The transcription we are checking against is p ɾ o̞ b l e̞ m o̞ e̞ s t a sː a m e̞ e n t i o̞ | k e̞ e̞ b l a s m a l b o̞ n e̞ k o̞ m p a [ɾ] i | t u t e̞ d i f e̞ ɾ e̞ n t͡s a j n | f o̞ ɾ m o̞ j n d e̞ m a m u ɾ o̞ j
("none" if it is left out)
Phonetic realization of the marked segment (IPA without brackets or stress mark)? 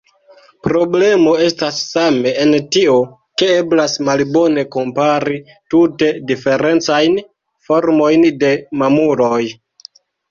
ɾ